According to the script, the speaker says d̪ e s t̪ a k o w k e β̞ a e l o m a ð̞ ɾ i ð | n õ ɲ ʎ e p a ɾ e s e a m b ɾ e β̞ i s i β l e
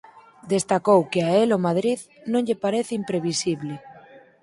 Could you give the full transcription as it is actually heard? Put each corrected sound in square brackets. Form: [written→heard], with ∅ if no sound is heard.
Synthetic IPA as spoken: d̪ e s t̪ a k o w k e [β̞→∅] a e l o m a ð̞ ɾ i ð | n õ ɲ ʎ e p a ɾ e [s→θ] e [a→i] m [b→p] ɾ e β̞ i s i β l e